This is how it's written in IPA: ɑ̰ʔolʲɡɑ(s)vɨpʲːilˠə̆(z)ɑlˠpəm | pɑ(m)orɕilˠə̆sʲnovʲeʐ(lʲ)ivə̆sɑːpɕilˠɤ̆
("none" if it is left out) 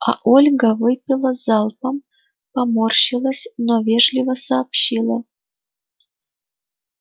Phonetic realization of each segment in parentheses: none, z, m, lʲ

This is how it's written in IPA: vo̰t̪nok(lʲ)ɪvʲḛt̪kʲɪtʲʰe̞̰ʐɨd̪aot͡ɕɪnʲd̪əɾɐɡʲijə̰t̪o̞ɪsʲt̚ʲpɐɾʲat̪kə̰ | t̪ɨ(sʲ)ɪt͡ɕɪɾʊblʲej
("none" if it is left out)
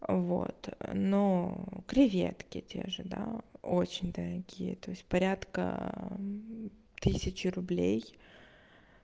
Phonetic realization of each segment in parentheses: ɾʲ, sʲ

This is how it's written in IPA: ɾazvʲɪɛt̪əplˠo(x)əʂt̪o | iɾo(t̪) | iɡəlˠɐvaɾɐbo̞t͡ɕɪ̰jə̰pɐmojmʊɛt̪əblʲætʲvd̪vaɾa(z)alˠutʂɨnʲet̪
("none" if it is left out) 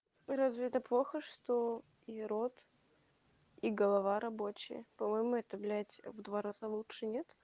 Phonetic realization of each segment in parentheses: x, t̪, z

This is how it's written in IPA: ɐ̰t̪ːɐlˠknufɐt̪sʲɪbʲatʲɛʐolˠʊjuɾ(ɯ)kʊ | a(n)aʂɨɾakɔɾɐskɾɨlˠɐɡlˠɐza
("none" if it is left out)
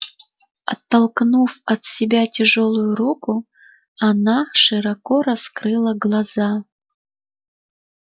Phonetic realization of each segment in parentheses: u, n

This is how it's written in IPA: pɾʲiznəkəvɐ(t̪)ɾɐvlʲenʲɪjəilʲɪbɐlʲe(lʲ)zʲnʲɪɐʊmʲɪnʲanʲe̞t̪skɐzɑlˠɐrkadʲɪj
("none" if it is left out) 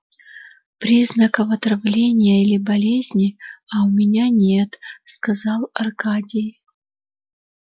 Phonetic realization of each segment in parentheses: t̪, none

